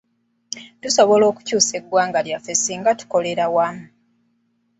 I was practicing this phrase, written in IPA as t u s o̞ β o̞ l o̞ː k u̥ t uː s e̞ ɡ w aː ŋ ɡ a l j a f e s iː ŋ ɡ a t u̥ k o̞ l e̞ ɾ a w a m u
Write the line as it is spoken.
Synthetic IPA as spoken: t u s o̞ β o̞ l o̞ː k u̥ c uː s e̞ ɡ w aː ŋ ɡ a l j a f e s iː ŋ ɡ a t u̥ k o̞ l e̞ ɾ a w a m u